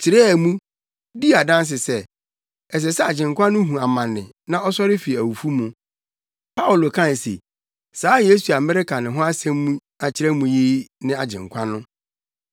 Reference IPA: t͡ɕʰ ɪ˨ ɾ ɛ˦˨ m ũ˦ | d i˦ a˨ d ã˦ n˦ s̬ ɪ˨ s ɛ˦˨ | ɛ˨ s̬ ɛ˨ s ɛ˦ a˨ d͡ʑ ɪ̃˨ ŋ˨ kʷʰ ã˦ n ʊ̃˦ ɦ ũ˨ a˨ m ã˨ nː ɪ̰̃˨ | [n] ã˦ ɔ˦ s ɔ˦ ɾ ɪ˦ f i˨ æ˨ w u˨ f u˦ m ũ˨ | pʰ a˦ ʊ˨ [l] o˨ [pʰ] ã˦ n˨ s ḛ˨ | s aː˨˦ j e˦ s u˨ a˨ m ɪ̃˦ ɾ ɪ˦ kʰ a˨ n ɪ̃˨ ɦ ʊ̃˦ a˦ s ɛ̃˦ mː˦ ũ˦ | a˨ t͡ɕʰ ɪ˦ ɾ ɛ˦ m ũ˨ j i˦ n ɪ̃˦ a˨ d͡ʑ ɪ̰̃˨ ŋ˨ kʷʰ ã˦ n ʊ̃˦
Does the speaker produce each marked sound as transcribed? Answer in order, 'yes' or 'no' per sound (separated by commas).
yes, yes, no